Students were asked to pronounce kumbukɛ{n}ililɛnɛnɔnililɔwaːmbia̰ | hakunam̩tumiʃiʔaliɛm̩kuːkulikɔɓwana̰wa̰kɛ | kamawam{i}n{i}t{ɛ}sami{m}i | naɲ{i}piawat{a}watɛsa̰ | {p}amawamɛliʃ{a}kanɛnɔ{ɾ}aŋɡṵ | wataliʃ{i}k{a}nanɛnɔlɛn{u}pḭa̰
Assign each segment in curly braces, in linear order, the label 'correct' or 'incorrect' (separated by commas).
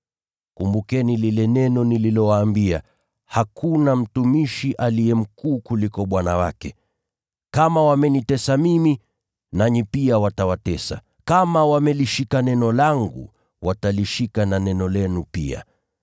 correct, incorrect, correct, correct, correct, correct, correct, incorrect, incorrect, incorrect, correct, correct, correct